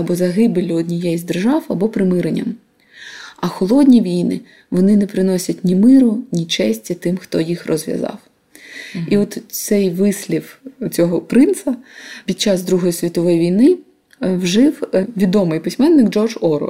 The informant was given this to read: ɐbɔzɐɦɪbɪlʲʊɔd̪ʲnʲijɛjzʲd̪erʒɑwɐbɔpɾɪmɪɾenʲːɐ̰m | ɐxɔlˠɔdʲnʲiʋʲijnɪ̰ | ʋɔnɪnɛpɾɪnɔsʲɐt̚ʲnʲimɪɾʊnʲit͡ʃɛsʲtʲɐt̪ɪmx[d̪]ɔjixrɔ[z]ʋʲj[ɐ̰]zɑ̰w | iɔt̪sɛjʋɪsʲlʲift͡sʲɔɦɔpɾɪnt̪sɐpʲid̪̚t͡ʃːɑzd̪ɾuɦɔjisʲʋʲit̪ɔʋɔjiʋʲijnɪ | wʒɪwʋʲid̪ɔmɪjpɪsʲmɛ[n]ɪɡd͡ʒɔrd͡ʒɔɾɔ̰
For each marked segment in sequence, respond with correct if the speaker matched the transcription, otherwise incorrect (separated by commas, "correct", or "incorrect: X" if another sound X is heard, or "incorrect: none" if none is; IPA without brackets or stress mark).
incorrect: t̪, correct, correct, incorrect: nː